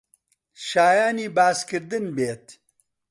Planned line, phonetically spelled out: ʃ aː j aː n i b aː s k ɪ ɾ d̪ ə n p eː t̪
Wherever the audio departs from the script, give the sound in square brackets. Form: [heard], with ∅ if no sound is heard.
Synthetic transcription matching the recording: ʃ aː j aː n i b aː s k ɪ ɾ d̪ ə n [b] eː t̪